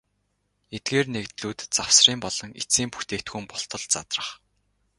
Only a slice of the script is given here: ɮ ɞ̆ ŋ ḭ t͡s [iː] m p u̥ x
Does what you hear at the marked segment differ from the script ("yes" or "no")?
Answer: no